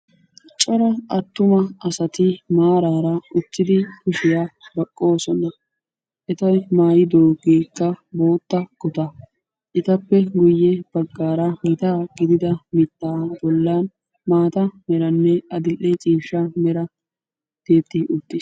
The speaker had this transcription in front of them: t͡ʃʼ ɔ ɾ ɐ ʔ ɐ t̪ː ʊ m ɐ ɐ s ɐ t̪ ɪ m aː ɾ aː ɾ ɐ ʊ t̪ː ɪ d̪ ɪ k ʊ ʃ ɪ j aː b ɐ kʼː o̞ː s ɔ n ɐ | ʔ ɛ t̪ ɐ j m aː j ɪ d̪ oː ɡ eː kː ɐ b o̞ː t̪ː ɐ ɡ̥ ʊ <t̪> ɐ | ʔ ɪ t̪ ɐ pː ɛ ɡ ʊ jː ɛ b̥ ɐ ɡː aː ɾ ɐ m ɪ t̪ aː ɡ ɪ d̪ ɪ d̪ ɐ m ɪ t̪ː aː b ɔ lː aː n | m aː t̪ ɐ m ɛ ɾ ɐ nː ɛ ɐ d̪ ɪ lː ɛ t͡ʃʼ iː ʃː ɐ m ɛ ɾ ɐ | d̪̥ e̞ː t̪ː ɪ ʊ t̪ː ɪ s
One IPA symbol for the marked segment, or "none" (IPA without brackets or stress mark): t̪